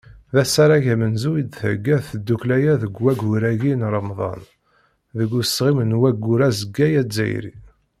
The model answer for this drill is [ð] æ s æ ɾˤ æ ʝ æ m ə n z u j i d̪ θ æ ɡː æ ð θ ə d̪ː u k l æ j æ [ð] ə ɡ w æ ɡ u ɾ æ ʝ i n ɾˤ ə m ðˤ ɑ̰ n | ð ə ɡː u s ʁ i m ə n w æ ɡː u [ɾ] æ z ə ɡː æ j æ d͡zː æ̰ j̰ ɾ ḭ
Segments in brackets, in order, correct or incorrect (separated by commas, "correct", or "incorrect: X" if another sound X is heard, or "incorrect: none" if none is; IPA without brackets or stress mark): correct, correct, correct